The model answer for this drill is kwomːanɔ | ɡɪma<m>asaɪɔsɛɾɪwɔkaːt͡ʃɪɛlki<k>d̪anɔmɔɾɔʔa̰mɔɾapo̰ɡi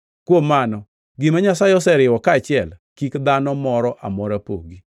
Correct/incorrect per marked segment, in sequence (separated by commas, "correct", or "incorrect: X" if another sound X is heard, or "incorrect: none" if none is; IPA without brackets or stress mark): incorrect: ɲ, correct